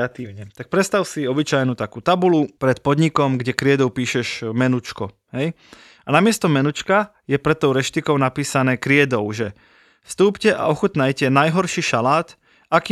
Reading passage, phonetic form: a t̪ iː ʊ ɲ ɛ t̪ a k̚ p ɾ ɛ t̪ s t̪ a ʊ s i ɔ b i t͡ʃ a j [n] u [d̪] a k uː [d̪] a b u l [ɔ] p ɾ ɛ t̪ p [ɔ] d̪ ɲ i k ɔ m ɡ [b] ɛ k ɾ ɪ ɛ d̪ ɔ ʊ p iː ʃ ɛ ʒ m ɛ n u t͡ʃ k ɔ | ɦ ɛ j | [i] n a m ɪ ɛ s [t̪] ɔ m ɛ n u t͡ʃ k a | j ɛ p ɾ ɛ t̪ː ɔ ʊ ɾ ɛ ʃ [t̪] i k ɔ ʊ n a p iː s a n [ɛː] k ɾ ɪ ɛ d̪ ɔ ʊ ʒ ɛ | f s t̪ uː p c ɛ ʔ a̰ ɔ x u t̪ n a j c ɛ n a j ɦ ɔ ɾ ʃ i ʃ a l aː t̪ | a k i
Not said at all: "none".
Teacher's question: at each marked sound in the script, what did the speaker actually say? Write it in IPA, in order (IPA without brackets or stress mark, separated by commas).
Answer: n, t̪, t̪, u, ɔ, ɟ, a, t̪, t̪, ɛː